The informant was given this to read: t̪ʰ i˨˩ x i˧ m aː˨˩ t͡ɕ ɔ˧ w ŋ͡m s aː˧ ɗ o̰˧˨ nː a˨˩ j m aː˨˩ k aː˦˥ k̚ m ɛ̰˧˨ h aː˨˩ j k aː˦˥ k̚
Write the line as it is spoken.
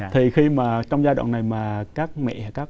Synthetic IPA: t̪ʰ i˨˩ x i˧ m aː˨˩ t͡ɕ ɔ˧ w ŋ͡m z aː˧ ɗ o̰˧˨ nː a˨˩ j m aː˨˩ k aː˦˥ k̚ m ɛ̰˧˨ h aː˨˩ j k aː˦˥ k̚